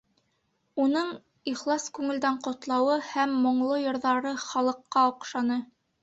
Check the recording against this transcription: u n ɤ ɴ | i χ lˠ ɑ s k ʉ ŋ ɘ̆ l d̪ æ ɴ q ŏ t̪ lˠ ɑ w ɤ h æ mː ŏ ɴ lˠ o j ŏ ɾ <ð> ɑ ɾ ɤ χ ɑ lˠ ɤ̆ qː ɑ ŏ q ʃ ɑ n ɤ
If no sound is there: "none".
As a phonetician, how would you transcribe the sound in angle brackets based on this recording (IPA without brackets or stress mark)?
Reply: ð